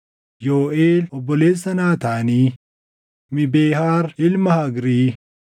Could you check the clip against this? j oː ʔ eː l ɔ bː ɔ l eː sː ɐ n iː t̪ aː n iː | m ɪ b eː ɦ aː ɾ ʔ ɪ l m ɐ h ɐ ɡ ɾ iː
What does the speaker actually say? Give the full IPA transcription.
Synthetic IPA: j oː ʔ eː l ɔ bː ɔ l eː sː ɐ n aː t̪ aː n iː | m ɪ b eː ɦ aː ɾ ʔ ɪ l m ɐ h ɐ ɡ ɾ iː